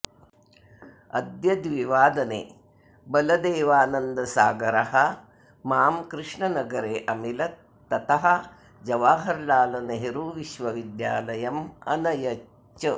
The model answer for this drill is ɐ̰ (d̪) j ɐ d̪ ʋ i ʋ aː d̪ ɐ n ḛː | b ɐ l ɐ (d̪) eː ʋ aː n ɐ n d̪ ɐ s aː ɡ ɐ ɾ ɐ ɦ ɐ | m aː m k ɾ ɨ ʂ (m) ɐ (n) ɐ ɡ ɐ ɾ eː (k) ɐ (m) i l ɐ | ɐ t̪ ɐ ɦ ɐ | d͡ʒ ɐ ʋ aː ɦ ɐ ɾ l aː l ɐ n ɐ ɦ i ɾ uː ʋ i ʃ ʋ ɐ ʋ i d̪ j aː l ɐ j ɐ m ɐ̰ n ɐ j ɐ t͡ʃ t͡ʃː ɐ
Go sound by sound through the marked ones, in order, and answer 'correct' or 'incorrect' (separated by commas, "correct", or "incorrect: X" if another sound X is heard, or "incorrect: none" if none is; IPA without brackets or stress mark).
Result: correct, correct, incorrect: ɳ, correct, incorrect: ʔ, correct